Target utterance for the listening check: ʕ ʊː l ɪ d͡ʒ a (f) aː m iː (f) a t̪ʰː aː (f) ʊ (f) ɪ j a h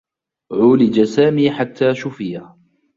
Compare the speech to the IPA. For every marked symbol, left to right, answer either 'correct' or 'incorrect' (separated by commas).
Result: incorrect, incorrect, incorrect, correct